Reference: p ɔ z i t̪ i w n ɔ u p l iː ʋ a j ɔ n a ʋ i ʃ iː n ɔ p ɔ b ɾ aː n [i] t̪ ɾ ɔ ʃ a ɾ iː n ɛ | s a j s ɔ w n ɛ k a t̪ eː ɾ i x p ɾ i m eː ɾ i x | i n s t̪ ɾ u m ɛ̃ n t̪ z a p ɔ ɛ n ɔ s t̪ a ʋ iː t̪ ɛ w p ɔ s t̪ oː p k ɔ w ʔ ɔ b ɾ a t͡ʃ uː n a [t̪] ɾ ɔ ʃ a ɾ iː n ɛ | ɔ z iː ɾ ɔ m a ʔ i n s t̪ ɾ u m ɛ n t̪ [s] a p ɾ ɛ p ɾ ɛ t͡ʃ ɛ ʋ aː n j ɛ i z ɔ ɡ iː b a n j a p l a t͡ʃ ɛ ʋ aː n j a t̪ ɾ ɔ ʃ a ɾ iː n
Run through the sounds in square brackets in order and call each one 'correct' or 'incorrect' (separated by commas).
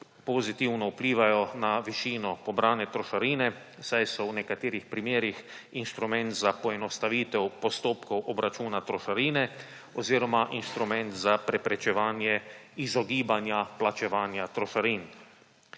incorrect, correct, incorrect